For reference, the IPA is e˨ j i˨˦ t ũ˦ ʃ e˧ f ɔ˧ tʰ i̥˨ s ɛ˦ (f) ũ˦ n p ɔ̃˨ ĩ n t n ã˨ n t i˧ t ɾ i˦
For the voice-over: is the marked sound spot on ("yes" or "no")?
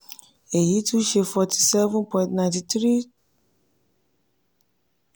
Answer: no